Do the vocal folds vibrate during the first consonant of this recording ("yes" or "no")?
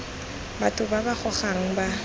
yes